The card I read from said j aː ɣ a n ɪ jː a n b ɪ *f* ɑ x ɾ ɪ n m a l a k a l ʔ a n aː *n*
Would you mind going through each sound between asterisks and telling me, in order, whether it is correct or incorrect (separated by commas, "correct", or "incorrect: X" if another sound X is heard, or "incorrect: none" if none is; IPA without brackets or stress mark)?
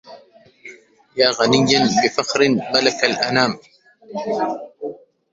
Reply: correct, incorrect: m